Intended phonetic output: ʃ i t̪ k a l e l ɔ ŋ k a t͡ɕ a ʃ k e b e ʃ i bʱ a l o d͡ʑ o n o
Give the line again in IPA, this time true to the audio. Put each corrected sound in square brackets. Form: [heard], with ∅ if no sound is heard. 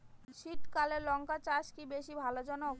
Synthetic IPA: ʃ i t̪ k a l e l ɔ ŋ k a t͡ɕ a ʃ k [i] b e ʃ i bʱ a l o d͡ʑ [ɔ] n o